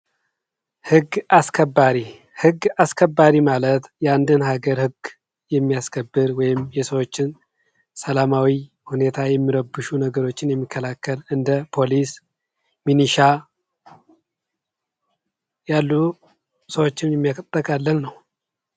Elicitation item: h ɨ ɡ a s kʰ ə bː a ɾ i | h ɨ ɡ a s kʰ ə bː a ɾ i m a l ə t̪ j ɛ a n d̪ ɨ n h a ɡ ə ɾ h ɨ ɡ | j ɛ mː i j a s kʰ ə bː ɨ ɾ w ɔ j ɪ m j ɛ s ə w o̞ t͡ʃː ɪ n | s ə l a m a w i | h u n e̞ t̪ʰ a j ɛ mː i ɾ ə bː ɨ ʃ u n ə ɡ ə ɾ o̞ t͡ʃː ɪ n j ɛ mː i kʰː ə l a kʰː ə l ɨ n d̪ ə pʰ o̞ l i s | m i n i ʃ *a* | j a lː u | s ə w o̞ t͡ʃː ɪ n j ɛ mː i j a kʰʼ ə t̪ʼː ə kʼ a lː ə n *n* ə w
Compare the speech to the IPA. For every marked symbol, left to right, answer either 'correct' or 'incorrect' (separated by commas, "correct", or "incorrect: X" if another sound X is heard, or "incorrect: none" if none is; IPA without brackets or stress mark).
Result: correct, correct